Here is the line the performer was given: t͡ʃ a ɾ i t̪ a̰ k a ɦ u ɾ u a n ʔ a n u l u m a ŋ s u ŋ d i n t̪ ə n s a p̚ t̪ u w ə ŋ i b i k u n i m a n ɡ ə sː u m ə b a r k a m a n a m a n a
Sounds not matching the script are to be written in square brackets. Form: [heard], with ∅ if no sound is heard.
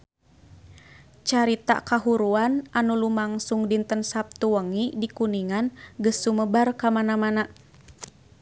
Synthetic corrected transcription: t͡ʃ a ɾ i t̪ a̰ k a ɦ u ɾ u a n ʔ a n u l u m a ŋ s u ŋ d i n t̪ ə n s a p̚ t̪ u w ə ŋ i [d] i k u n i [ŋ] a n ɡ ə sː u m ə b a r k a m a n a m a n a